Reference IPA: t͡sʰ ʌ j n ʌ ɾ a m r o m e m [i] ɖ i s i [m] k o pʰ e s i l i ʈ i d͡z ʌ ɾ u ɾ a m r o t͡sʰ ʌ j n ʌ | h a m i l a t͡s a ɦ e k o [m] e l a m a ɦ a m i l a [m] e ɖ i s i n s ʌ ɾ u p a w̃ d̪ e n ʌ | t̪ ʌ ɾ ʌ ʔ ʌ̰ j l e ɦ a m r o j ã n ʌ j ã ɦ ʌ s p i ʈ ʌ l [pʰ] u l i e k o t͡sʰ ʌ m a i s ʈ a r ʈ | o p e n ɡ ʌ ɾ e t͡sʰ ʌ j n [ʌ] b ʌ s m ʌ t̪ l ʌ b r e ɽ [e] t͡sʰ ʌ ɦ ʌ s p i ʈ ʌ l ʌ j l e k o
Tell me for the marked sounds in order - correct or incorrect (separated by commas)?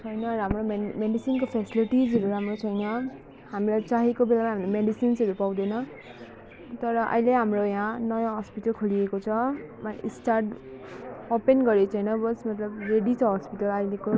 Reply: incorrect, incorrect, incorrect, correct, incorrect, correct, incorrect